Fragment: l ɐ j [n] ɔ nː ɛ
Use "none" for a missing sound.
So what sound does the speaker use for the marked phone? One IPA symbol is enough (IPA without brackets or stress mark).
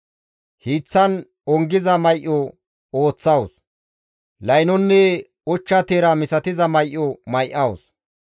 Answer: n